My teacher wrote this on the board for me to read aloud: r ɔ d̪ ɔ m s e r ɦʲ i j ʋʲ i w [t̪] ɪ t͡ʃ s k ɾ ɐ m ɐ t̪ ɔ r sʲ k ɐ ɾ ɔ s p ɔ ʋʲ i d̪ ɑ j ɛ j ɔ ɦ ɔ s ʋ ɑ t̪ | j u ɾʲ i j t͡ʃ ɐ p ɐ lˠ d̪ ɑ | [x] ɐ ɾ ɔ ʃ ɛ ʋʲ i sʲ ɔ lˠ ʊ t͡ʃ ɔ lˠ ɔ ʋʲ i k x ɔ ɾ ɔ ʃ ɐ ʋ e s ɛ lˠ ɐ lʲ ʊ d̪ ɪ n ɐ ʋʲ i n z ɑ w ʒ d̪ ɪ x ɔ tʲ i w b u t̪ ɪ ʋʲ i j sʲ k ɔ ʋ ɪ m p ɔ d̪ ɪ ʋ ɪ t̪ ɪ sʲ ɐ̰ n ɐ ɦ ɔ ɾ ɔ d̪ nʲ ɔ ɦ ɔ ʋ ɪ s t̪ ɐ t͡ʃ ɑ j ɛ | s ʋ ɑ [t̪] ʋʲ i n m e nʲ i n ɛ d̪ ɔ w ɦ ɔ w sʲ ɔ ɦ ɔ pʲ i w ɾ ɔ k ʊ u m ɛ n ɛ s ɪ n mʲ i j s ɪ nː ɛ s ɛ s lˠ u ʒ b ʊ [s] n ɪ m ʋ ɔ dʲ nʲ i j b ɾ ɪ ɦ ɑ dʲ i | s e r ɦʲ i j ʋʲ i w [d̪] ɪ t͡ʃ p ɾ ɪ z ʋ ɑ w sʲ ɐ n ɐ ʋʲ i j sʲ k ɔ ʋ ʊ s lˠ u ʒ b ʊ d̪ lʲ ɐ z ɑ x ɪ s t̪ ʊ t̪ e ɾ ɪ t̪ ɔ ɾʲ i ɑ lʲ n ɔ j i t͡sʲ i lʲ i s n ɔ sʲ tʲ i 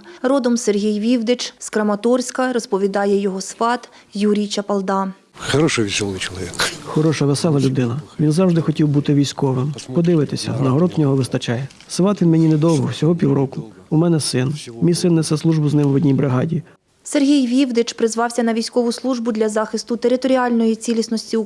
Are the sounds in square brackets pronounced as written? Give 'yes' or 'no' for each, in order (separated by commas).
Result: no, yes, yes, no, yes